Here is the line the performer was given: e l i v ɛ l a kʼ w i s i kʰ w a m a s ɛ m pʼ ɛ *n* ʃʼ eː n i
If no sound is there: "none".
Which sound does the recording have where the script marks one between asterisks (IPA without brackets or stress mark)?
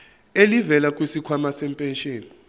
n